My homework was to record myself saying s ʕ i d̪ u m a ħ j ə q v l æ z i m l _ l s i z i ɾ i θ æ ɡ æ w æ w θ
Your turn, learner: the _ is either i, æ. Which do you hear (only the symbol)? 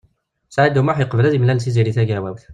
æ